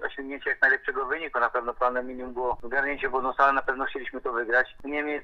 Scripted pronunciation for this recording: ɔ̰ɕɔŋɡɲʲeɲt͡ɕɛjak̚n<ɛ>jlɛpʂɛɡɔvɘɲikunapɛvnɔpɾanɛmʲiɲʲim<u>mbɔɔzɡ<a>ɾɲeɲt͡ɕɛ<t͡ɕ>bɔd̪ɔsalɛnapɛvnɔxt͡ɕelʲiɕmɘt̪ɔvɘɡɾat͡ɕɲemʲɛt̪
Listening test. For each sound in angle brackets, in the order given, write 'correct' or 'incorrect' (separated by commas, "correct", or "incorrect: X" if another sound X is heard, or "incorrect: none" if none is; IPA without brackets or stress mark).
incorrect: a, correct, correct, incorrect: none